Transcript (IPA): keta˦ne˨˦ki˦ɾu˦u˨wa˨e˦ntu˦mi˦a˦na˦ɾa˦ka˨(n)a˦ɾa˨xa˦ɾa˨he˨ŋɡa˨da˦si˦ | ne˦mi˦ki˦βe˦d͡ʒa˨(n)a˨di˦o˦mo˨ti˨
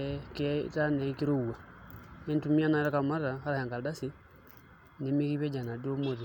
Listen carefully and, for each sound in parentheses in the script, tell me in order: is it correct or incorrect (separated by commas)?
incorrect, correct